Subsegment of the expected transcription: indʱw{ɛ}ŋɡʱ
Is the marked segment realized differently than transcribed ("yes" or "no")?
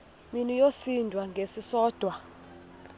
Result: yes